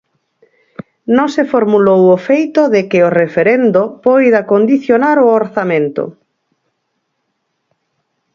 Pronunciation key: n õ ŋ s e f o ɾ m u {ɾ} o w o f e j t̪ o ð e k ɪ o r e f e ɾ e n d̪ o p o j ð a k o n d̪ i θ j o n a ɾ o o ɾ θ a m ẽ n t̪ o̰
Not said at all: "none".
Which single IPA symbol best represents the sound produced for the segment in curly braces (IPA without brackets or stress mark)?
l